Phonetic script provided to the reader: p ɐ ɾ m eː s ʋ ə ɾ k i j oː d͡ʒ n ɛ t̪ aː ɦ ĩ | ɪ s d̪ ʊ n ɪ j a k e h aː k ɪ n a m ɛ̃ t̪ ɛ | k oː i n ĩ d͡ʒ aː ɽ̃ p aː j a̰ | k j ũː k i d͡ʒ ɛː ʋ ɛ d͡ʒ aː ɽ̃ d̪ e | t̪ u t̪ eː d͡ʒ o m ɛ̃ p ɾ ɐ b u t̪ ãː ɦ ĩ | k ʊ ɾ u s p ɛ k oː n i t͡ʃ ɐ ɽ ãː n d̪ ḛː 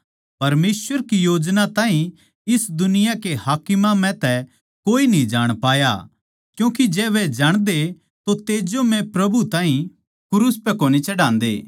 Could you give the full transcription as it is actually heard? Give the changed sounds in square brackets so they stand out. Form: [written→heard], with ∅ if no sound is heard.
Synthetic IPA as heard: p ɐ ɾ m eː s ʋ ə ɾ k i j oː d͡ʒ n [ɛ→a] t̪ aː ɦ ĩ | ɪ s d̪ ʊ n ɪ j a k e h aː k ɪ [n→m] a m ɛ̃ t̪ ɛ | k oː i n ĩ d͡ʒ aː ɽ̃ p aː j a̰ | k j ũː k i d͡ʒ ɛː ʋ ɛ d͡ʒ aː ɽ̃ d̪ e | t̪ [u→o] t̪ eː d͡ʒ o m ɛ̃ p ɾ ɐ b u t̪ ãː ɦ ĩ | k ʊ ɾ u s p ɛ k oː n i t͡ʃ ɐ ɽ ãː n d̪ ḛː